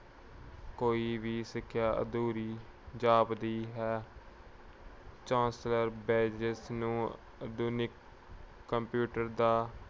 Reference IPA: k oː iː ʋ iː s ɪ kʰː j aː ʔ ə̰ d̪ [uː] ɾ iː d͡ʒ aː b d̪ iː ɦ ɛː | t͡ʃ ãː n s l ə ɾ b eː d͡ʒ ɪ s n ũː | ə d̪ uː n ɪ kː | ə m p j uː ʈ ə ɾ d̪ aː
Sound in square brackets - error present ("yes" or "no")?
no